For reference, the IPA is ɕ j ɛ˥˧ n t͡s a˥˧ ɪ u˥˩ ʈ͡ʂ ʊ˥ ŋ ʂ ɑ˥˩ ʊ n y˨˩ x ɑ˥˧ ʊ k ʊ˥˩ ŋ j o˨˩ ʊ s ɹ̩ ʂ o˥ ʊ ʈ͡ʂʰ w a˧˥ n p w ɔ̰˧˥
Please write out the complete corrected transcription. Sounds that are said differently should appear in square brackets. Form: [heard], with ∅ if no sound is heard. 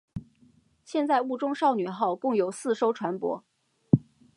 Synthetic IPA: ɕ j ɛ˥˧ n t͡s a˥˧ ɪ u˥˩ ʈ͡ʂ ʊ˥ ŋ ʂ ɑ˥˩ ʊ n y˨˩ x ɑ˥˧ ʊ k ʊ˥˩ ŋ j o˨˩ ʊ s ɹ̩ ʂ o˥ ʊ ʈ͡ʂʰ w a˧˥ n p w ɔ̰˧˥